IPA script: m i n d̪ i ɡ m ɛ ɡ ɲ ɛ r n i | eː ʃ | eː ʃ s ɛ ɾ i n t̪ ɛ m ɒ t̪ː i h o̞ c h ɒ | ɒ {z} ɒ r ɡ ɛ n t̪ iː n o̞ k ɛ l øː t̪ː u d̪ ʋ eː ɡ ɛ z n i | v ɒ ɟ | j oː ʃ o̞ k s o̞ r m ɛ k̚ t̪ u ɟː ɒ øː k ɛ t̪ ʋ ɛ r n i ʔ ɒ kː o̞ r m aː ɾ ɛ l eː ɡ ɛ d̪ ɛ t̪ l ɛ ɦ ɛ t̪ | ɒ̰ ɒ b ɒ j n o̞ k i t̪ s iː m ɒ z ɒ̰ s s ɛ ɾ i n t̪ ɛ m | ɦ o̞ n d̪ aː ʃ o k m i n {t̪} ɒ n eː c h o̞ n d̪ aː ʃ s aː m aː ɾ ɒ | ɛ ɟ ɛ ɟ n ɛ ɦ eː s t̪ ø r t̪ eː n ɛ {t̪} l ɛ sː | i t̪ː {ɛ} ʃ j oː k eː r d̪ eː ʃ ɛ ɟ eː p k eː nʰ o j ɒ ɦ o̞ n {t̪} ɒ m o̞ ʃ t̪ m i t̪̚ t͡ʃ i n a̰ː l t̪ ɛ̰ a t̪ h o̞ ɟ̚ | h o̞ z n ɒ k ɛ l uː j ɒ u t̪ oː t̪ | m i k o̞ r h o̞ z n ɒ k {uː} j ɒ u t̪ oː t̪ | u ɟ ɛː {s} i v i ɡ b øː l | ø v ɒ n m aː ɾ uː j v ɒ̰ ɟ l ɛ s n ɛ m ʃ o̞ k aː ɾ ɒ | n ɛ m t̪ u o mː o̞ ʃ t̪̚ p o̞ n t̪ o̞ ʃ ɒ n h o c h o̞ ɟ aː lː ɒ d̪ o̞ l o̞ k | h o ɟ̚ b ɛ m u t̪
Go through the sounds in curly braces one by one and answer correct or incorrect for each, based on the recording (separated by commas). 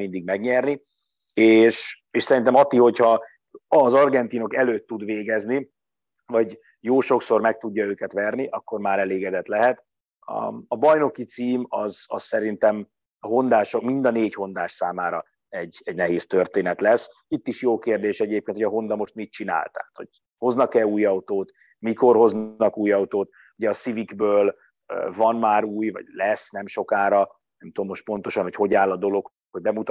correct, incorrect, correct, incorrect, incorrect, correct, correct